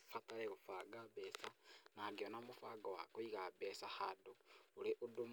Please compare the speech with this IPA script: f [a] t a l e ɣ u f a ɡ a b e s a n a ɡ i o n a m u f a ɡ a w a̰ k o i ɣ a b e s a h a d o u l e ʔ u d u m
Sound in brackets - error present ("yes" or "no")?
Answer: no